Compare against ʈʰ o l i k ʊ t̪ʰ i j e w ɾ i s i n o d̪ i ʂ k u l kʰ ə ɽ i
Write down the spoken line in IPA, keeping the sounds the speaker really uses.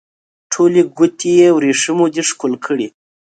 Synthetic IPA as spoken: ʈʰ o l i ɡ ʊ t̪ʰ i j e w ɾ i ʂ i m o d̪ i ʂ k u l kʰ ə ɽ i